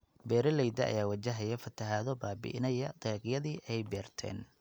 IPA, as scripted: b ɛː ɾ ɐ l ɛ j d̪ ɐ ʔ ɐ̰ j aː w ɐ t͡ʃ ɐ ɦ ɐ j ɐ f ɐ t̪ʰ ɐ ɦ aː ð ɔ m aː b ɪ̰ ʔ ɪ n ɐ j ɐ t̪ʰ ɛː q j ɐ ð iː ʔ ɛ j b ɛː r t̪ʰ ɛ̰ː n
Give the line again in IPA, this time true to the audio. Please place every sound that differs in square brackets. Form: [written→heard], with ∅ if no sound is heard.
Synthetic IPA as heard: b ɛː ɾ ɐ l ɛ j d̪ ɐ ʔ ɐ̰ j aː w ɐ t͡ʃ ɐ ɦ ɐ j ɐ f ɐ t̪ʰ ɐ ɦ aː ð ɔ [m→b] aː b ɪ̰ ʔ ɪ n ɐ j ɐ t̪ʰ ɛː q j ɐ ð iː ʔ ɛ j b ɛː r t̪ʰ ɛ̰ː n